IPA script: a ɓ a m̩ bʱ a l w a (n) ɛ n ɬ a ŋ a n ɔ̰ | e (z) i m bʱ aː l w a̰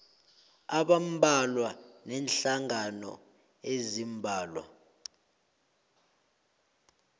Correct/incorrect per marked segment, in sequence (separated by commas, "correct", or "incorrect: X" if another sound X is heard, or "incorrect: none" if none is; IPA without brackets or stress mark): correct, correct